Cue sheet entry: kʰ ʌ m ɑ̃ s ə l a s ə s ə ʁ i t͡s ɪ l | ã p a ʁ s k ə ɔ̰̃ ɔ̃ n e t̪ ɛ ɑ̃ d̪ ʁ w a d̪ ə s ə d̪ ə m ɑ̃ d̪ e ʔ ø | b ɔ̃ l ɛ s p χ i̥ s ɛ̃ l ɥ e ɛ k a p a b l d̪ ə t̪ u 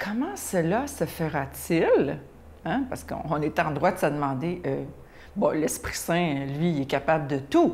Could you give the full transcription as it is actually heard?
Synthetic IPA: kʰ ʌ m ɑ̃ s ə l a s ə f ə ʁ a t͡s ɪ l | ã p a ʁ s k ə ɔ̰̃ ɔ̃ n e t̪ ɛ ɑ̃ d̪ ʁ w a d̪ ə s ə d̪ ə m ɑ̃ d̪ e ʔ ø | b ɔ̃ l ɛ s p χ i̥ s ɛ̃ l ɥ i ɛ k a p a b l d̪ ə t̪ u